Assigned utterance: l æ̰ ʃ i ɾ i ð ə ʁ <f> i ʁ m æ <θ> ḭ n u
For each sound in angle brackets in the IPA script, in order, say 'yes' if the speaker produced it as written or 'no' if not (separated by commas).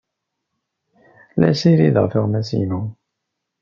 yes, no